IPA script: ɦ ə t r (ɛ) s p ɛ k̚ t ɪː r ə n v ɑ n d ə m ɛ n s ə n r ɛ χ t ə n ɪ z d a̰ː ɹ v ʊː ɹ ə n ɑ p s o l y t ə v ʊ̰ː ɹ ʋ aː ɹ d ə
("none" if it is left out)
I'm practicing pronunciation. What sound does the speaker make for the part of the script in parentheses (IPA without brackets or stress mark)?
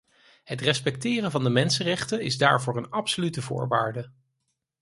ɛ